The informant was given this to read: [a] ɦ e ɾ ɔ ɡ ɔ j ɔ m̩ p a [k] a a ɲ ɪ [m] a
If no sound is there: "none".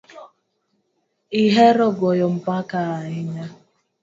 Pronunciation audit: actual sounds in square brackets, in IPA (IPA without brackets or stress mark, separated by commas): i, k, ɲ